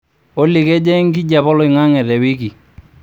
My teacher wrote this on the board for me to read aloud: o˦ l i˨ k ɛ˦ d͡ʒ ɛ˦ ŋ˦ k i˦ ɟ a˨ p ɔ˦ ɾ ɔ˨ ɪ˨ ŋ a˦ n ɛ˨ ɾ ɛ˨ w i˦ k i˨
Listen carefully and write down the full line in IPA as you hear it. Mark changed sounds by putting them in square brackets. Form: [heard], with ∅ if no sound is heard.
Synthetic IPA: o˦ l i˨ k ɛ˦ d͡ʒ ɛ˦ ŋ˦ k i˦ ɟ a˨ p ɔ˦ [l] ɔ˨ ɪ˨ ŋ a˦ [ŋ] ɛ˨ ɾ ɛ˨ w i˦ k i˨